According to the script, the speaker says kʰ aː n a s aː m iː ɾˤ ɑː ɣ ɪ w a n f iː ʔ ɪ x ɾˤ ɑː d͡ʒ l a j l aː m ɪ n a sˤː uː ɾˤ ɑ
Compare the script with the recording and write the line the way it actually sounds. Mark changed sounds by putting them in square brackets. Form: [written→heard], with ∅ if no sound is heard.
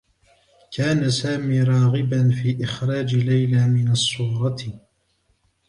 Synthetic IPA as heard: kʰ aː n a s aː m iː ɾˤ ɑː ɣ ɪ [w→b] a n f iː ʔ ɪ x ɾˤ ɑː d͡ʒ l a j l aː m ɪ n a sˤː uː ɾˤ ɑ